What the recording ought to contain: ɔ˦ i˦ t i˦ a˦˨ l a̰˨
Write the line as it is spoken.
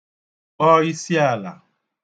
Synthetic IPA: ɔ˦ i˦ s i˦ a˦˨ l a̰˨